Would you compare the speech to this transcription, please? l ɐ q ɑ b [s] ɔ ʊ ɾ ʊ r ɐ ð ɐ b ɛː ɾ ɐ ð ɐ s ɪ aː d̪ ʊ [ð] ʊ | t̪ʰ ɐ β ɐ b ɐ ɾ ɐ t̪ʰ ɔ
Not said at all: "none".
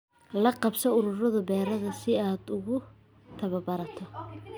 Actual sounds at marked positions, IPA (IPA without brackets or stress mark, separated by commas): s, ɣ